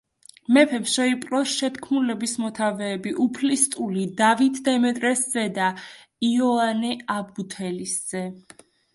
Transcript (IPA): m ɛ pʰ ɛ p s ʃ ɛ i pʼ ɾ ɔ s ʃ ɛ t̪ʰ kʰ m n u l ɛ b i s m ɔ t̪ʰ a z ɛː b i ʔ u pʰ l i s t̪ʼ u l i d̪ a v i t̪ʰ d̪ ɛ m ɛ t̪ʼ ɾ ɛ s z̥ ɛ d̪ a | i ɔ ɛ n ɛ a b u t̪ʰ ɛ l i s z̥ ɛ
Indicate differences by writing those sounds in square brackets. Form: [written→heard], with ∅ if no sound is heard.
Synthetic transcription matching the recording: m ɛ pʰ ɛ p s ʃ ɛ i pʼ ɾ ɔ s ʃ ɛ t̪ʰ kʰ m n u l ɛ b i s m ɔ t̪ʰ a [z→v] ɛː b i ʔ u pʰ l i s t̪ʼ u l i d̪ a v i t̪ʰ d̪ ɛ m ɛ t̪ʼ ɾ ɛ s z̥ ɛ d̪ a | i ɔ [ɛ→a] n ɛ a b u t̪ʰ ɛ l i s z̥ ɛ